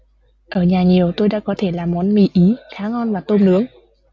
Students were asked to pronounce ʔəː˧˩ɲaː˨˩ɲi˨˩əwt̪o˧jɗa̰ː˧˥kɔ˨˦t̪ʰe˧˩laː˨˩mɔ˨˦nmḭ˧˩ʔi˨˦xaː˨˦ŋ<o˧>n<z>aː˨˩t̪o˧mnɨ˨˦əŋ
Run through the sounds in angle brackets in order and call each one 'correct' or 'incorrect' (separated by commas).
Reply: incorrect, incorrect